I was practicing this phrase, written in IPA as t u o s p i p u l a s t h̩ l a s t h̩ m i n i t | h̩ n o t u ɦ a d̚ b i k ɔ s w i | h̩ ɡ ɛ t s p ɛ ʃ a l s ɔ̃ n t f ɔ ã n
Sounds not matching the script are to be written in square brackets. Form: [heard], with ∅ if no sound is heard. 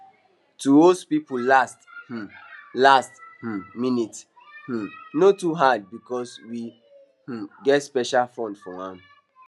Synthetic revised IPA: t u o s p i p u l a s t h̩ l a s t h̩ m i n i t | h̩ n o t u ɦ a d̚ b i k ɔ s w i | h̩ ɡ ɛ t s p ɛ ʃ a l [f] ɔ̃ n [d] f ɔ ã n